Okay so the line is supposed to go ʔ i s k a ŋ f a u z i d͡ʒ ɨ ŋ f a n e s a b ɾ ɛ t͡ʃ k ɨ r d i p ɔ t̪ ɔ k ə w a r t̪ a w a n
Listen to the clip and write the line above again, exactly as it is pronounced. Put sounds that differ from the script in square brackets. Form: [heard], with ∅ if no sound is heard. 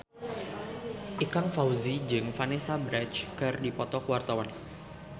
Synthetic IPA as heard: ʔ i [∅] k a ŋ f a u z i d͡ʒ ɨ ŋ f a n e s a b ɾ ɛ t͡ʃ k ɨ r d i p ɔ t̪ ɔ k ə w a r t̪ a w a n